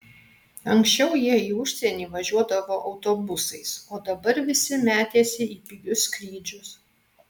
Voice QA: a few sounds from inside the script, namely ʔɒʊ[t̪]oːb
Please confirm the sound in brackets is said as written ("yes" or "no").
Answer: yes